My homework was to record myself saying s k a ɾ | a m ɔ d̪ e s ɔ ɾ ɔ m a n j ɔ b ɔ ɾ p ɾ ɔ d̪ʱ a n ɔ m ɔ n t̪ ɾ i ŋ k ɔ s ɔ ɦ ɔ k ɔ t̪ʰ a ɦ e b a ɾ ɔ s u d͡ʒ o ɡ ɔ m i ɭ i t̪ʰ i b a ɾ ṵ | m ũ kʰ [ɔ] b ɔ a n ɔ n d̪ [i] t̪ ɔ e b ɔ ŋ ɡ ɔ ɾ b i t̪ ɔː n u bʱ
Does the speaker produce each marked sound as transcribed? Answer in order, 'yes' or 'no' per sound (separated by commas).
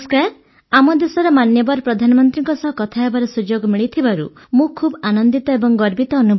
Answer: no, yes